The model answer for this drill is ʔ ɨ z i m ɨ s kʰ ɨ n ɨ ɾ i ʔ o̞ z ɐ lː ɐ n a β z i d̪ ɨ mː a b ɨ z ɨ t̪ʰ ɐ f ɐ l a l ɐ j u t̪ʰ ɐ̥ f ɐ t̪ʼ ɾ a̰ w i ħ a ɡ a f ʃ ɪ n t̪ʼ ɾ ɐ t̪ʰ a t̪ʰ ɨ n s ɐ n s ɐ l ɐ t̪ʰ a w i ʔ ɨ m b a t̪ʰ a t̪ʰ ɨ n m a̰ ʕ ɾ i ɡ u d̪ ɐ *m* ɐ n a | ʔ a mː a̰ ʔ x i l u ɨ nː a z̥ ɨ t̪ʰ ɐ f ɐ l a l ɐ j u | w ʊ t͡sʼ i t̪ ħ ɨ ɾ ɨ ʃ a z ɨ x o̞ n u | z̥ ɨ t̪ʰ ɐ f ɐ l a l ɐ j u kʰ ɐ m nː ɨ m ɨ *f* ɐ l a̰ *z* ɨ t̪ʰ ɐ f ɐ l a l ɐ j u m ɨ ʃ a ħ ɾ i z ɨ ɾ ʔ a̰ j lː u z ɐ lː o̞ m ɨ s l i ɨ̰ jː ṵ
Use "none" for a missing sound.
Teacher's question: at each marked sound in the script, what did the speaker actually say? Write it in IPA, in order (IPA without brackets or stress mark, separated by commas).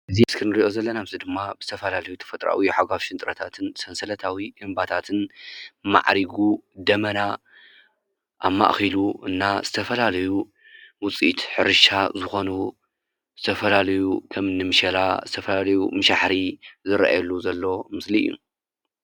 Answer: m, ʃ, z